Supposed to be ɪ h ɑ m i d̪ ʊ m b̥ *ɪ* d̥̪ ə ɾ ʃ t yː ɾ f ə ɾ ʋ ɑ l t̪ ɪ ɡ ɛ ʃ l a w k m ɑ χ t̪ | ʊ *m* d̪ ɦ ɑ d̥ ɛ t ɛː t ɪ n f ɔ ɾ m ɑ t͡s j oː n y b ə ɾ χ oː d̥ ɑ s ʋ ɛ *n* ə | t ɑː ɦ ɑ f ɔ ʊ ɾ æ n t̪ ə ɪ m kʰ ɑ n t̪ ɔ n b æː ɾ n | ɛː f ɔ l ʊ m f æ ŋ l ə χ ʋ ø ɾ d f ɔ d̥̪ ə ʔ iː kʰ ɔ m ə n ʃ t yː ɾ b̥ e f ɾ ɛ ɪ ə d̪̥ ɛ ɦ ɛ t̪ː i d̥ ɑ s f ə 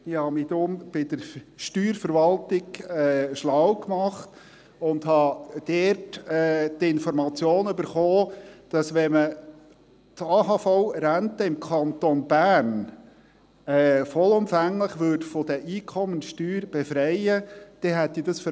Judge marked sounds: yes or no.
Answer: yes, no, no

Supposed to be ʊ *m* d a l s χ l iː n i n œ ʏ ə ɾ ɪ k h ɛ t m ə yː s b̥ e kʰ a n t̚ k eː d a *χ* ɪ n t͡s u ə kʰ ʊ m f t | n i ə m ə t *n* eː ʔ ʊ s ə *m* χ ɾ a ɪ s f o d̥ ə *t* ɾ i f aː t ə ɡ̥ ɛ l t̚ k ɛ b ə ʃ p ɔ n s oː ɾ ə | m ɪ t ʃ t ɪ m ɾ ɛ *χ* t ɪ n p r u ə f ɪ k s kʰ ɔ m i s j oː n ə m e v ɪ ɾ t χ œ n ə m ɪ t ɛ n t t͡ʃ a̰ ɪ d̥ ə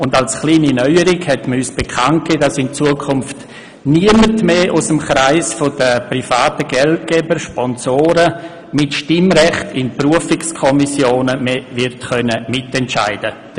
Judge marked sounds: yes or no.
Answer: no, no, no, yes, no, yes

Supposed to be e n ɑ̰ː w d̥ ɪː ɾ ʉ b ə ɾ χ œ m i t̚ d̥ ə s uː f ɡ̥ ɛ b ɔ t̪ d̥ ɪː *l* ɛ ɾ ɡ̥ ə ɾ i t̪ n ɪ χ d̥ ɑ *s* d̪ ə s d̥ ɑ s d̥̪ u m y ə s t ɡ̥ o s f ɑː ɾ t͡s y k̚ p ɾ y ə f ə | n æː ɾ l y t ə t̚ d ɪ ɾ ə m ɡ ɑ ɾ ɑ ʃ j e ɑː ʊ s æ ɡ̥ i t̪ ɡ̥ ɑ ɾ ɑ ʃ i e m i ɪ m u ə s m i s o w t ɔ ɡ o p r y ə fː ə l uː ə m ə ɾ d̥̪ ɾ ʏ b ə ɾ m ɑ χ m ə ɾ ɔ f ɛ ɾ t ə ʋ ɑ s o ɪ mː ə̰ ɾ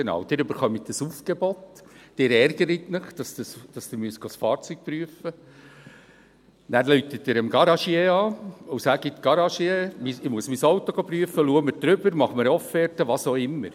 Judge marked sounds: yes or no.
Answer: no, yes

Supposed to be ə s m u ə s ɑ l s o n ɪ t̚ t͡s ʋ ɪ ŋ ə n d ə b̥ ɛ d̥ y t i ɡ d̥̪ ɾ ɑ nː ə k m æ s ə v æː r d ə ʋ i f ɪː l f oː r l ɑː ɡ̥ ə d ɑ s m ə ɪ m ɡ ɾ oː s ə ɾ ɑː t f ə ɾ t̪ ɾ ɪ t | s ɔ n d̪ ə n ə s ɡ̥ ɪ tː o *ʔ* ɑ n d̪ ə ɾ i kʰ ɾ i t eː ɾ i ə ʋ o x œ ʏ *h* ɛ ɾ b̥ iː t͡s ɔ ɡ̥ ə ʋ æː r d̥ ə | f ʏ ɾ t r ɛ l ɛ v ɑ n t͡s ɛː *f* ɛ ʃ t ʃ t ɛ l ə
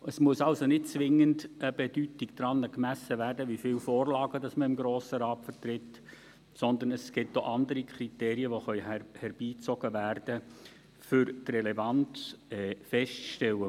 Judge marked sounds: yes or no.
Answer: yes, yes, yes

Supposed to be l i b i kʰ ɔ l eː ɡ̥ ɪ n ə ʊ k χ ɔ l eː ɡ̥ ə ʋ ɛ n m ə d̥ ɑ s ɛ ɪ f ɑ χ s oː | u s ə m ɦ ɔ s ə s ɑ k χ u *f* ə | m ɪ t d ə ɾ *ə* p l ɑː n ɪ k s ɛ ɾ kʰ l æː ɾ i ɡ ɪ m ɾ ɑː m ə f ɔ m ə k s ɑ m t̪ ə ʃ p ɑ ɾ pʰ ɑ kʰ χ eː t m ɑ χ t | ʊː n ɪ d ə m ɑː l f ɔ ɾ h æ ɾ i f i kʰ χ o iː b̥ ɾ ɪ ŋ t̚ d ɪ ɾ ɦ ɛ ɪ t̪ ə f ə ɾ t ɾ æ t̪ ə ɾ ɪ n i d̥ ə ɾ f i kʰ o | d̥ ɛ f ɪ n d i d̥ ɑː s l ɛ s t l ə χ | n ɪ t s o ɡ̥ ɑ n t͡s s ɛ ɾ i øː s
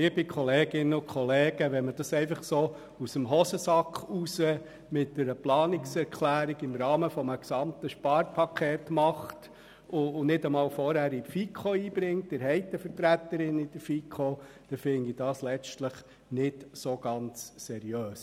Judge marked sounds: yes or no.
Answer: no, yes

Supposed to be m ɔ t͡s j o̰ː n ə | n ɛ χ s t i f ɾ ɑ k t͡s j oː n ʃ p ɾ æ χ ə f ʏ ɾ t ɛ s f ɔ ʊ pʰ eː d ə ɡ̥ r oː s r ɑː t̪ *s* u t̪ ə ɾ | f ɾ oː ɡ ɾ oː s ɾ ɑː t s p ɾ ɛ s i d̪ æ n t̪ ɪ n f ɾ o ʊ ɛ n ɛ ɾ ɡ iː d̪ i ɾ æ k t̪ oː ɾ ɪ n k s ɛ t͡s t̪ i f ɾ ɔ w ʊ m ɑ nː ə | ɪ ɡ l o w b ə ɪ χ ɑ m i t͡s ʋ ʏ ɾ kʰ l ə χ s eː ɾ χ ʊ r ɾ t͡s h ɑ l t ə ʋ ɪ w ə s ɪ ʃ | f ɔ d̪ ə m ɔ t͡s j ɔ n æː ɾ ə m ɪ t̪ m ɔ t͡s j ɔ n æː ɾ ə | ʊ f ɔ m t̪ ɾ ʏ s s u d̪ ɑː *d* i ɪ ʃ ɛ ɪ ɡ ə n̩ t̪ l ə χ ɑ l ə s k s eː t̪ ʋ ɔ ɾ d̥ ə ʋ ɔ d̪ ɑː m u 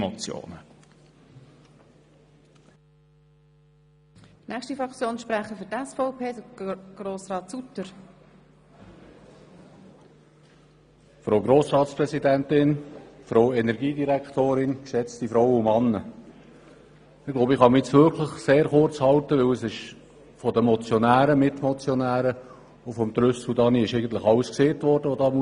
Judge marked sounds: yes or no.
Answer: yes, no

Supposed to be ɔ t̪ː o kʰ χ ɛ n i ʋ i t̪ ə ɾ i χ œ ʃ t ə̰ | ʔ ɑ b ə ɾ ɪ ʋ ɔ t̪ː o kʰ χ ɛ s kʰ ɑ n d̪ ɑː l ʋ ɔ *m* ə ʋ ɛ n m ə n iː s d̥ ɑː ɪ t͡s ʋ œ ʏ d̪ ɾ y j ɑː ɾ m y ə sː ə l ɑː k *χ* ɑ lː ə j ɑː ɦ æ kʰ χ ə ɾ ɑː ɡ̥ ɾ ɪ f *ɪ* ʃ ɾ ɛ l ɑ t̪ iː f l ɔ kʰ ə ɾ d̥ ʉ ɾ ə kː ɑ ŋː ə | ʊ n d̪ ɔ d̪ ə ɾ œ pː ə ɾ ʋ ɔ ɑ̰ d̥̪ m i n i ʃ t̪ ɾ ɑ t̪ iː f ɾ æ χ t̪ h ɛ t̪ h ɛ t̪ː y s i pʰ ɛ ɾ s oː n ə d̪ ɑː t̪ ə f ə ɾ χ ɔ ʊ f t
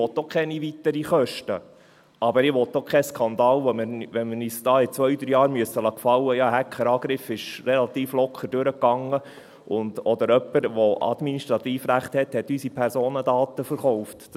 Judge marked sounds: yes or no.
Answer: yes, no, yes

